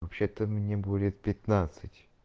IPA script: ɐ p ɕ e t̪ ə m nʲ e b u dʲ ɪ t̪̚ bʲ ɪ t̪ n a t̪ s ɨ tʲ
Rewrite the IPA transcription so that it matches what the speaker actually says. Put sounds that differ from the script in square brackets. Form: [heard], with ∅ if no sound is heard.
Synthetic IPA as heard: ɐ p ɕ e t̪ ə m nʲ e b u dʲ ɪ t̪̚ [pʲ] ɪ t̪ n a t̪ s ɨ tʲ